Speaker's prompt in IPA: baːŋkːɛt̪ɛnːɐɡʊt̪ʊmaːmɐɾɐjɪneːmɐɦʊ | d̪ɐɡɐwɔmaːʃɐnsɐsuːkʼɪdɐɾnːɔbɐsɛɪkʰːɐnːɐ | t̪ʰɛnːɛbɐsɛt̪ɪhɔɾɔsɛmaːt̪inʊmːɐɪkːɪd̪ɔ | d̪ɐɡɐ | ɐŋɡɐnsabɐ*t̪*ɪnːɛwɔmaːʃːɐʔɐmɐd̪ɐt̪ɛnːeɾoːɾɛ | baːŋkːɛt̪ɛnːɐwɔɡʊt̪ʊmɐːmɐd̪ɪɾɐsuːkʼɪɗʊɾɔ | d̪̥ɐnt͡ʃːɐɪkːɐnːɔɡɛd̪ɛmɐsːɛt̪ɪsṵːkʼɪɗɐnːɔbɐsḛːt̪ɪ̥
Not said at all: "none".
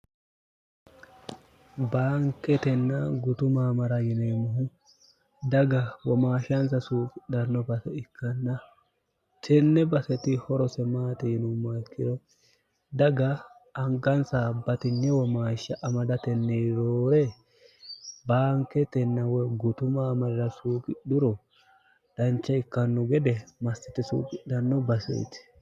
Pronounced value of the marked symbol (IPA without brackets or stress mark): t̪